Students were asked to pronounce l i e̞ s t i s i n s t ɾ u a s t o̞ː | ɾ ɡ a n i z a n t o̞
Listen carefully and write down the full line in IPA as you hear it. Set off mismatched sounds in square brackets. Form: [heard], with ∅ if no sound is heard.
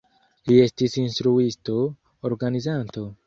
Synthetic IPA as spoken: l i e̞ s t i s i n s t ɾ u [i] s t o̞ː | ɾ ɡ a n i z a n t o̞